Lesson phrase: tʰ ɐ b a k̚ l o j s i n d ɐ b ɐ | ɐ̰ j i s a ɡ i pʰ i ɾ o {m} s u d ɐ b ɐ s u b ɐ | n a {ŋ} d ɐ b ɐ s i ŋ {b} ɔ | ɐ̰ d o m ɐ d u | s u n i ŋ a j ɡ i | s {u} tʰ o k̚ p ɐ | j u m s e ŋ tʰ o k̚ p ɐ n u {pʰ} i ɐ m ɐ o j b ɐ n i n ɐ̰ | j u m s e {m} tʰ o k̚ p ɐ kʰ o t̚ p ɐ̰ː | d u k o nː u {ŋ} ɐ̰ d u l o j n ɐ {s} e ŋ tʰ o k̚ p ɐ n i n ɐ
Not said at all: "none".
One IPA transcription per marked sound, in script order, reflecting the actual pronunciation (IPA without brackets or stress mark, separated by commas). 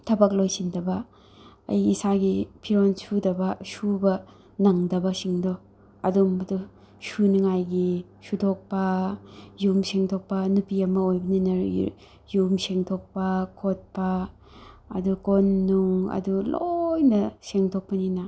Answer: n, ŋ, d, u, p, ŋ, ŋ, s